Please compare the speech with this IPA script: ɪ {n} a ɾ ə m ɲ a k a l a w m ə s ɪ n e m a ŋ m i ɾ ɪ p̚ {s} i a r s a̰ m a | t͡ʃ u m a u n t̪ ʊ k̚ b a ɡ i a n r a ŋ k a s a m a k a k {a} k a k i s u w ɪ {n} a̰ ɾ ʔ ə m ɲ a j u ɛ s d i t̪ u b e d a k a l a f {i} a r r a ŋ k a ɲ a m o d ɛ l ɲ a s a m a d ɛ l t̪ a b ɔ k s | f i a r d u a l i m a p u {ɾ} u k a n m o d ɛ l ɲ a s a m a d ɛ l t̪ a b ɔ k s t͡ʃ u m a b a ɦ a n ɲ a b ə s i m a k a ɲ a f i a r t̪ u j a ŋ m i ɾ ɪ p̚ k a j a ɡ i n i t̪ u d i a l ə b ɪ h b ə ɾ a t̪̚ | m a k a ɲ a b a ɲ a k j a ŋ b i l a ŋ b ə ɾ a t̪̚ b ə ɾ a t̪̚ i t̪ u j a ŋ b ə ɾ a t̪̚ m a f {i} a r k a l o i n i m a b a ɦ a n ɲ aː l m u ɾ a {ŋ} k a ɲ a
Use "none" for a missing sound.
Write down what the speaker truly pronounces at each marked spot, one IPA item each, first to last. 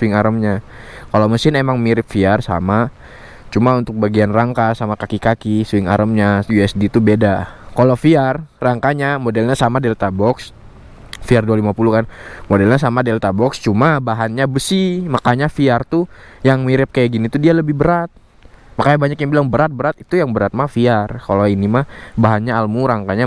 ŋ, f, i, ŋ, i, l, i, ŋ

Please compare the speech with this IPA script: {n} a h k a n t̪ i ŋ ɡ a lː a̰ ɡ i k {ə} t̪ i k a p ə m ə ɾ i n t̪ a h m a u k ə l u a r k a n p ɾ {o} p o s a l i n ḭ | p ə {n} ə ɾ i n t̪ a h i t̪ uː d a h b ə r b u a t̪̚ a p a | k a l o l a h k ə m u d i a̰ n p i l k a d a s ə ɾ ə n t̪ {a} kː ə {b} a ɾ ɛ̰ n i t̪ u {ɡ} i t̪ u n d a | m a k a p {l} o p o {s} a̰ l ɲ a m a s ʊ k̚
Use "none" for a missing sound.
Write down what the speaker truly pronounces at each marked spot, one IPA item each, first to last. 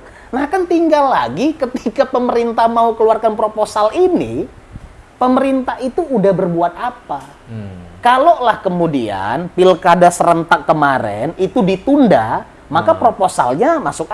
n, ə, o, m, a, m, d, ɾ, s

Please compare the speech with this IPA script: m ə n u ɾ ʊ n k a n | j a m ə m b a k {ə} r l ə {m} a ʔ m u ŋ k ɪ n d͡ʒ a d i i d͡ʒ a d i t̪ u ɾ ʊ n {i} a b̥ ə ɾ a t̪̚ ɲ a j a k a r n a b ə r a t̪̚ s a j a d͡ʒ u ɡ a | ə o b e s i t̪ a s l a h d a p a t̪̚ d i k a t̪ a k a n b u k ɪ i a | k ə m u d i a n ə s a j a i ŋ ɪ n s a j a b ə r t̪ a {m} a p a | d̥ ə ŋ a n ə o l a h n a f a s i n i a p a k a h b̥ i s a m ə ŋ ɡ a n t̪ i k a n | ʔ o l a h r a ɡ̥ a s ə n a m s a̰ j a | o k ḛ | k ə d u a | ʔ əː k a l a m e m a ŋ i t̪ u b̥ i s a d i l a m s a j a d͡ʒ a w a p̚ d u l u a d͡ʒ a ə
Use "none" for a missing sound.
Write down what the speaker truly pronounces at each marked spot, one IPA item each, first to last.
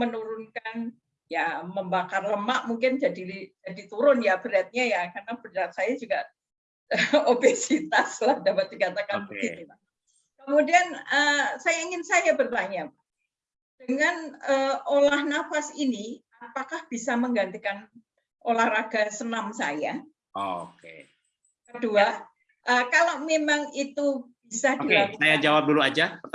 a, m, j, ɲ

